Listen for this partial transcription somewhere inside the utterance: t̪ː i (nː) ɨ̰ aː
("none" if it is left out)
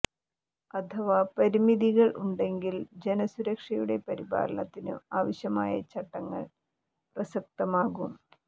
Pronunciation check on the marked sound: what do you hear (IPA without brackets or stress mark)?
n